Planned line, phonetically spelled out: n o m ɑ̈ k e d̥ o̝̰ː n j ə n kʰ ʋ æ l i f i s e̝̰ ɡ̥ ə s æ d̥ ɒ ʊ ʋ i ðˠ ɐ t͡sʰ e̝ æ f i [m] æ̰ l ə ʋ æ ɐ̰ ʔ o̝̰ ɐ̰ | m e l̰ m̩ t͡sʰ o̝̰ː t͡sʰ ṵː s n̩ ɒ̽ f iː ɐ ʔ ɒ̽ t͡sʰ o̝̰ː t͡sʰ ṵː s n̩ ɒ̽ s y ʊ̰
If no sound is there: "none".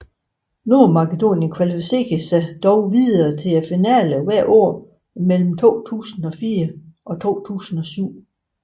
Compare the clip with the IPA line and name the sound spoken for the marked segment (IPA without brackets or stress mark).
n